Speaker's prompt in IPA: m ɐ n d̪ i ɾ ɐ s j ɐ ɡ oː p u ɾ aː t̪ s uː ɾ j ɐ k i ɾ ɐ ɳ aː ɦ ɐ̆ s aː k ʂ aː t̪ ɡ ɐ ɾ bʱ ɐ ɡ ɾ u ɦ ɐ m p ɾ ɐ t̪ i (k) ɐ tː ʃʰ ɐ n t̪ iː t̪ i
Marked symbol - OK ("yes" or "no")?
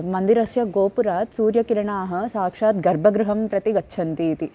no